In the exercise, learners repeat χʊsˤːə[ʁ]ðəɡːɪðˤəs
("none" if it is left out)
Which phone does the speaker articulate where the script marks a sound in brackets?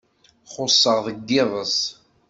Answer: ʁ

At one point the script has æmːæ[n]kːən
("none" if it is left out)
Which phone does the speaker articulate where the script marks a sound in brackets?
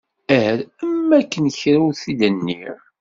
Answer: none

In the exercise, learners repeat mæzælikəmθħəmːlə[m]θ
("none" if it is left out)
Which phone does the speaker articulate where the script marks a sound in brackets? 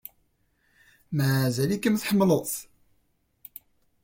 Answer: none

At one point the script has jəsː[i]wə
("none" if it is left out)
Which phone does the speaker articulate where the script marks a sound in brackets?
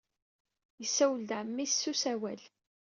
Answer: æ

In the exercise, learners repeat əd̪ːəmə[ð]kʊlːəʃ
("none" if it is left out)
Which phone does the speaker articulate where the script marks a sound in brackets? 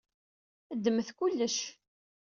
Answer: θ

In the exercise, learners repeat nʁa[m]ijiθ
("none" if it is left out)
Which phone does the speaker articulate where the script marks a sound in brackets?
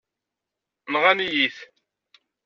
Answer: n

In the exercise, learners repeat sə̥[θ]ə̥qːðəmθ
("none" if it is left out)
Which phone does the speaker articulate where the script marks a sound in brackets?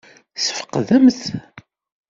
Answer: f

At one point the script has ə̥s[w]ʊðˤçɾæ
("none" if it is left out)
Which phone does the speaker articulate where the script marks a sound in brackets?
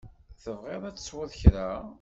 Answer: w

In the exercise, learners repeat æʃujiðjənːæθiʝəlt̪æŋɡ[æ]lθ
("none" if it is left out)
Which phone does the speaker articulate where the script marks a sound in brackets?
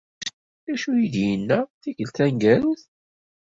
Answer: æ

